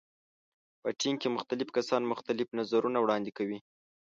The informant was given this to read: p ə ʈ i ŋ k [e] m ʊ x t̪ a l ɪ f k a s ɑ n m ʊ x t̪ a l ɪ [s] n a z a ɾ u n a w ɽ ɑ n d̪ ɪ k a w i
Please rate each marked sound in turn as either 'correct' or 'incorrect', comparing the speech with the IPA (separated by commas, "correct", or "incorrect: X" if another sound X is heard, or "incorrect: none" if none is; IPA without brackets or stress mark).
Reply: correct, incorrect: f